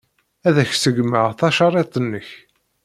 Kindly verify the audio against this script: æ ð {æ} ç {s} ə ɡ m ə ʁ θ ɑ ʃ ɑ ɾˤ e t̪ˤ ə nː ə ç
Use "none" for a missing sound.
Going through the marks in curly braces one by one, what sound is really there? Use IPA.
æ, s

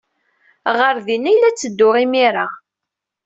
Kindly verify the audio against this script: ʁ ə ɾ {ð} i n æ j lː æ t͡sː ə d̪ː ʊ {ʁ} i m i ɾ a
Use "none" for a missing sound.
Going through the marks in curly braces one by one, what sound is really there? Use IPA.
ð, ʁ

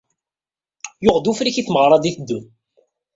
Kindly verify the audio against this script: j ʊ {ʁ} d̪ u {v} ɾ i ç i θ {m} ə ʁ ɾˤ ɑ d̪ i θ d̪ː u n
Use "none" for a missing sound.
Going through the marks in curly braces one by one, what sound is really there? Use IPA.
ʁ, f, m

